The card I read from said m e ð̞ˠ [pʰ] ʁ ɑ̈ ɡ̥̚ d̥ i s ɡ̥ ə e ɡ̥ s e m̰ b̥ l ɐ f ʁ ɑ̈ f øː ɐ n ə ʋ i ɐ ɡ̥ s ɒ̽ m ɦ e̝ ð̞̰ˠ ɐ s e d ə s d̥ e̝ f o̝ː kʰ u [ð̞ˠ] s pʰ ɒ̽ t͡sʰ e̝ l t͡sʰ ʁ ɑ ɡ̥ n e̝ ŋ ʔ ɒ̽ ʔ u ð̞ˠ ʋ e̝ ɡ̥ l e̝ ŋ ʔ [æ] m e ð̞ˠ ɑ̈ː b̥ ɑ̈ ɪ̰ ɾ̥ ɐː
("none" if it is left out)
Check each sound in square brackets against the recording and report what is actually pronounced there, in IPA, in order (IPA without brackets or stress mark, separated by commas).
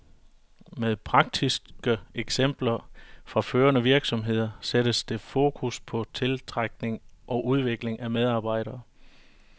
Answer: pʰ, none, æ